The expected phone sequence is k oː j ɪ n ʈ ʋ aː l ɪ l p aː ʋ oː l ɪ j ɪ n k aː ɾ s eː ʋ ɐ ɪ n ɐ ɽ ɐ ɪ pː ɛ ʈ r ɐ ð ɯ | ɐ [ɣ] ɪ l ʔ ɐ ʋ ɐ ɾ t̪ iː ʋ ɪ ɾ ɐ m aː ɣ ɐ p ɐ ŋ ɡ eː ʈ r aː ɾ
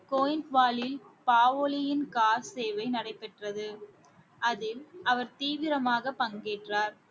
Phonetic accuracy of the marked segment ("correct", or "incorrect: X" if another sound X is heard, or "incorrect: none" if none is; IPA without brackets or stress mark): incorrect: ð